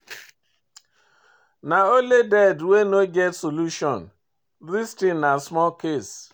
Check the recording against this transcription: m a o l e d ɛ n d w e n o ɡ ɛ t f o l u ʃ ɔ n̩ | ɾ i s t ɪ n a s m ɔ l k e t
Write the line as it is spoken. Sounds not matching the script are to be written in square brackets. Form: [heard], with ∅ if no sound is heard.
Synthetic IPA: [n] a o l e d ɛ [∅] d w e n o ɡ ɛ t [s] o l u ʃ ɔ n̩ | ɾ i s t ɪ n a s m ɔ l k e [s]

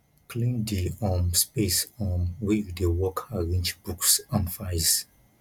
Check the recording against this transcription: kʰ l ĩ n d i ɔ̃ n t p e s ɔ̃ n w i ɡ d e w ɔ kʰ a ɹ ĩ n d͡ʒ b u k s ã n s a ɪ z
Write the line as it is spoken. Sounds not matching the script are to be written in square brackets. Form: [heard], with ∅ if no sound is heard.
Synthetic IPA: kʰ l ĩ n d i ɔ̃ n [s] p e s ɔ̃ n w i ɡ d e w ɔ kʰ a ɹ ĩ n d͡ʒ b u k s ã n [f] a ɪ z

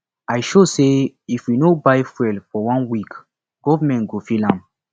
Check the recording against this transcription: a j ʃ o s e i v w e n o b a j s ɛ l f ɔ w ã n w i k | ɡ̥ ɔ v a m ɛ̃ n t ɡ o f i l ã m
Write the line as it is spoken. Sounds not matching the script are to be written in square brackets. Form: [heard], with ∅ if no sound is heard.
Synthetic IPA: a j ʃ o s e i [f] w [i] n o b a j [f] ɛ l f ɔ w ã n w i k | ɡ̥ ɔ v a m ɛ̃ n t ɡ o f i l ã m

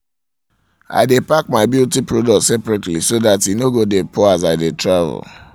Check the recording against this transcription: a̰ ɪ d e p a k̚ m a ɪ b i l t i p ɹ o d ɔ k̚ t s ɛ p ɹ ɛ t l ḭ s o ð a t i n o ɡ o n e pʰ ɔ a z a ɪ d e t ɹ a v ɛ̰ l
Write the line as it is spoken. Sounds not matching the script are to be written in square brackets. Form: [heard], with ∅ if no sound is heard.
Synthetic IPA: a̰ ɪ d e p a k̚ m a ɪ b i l t i p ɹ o d ɔ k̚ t s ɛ p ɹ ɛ t l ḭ s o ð a t i n o ɡ o [d] e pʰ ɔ a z a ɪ d e t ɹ a v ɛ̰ l

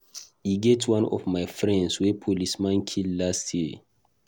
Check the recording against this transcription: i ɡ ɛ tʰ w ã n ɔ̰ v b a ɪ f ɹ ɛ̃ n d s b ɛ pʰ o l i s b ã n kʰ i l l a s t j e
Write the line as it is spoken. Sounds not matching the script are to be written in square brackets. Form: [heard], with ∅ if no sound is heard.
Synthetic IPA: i ɡ ɛ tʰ w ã n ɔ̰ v [m] a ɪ f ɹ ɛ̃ n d s [w] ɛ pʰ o l i s [m] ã n kʰ i l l a s t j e

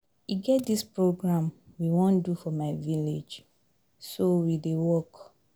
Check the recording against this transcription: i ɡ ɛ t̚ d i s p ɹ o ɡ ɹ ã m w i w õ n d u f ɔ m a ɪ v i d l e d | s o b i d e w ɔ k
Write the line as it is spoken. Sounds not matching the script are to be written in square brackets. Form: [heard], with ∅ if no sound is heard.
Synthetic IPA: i ɡ ɛ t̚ d i s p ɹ o ɡ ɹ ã m w i w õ n d u f ɔ m a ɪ v i [∅] l e [d͡ʒ] | s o [w] i d e w ɔ k

